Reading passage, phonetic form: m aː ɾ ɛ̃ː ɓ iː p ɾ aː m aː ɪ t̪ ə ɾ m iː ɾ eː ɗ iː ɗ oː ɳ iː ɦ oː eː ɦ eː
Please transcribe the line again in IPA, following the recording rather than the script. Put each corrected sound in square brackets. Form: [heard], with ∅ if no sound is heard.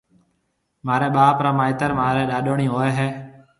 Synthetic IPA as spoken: m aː ɾ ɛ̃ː ɓ [aː] p ɾ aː m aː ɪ t̪ ə ɾ m [aː] ɾ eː ɗ [aː] ɗ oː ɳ iː ɦ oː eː ɦ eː